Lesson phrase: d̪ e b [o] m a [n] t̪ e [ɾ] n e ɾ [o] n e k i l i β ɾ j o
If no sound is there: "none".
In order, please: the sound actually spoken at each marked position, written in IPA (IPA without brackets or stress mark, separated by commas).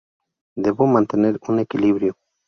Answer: o, n, none, u